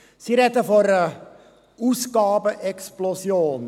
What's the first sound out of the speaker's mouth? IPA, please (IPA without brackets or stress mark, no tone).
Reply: s